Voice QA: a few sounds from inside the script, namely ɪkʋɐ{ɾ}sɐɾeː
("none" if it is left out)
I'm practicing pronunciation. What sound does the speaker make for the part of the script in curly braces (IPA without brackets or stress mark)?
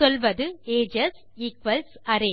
l